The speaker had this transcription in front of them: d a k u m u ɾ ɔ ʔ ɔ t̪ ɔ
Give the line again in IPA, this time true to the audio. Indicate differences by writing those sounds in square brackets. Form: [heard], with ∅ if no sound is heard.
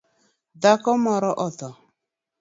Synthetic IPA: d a k [ɔ] m [ɔ] ɾ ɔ ʔ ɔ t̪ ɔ